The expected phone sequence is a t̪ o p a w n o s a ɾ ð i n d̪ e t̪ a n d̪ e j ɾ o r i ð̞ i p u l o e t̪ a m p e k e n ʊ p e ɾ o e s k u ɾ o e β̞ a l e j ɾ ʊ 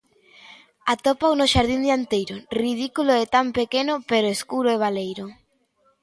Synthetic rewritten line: a t̪ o p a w n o ʃ a ɾ ð i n d̪ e a n t̪ e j ɾ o r i ð̞ i k u l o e t̪ a m p e k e n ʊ p e ɾ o e s k u ɾ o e β̞ a l e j ɾ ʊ